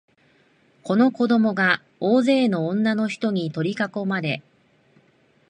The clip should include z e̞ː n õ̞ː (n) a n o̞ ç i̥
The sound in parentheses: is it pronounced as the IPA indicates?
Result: no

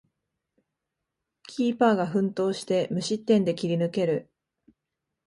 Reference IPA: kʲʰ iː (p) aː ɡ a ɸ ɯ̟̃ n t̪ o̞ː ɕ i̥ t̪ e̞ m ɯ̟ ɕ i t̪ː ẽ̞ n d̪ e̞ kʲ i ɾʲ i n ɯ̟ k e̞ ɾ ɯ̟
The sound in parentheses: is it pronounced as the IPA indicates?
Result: yes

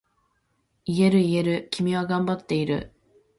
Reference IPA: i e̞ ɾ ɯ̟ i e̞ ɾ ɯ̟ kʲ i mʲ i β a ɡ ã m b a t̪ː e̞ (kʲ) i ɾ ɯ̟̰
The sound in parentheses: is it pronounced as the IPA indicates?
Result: no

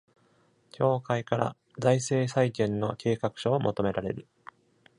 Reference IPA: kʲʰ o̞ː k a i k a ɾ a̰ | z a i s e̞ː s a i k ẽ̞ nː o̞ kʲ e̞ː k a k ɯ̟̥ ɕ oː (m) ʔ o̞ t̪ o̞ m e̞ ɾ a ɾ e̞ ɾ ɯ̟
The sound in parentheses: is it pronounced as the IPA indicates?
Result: yes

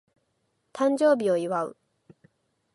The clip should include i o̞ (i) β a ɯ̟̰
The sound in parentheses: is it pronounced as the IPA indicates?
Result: yes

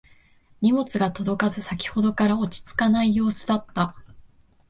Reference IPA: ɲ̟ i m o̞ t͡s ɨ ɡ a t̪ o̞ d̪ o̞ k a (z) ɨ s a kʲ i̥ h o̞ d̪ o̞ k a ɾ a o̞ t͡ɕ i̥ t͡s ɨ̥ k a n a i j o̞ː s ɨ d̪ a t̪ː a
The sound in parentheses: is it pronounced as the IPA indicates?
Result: yes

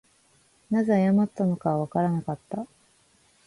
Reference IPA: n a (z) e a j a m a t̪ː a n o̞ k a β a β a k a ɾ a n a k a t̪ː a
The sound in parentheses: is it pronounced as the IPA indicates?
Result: yes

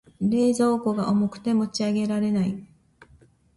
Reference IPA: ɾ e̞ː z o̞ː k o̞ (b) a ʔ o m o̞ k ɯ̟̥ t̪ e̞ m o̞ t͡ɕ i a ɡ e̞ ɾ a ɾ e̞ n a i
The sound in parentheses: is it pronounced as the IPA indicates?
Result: no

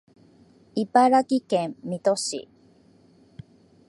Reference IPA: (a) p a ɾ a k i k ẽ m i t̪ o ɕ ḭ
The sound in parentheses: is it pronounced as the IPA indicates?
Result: no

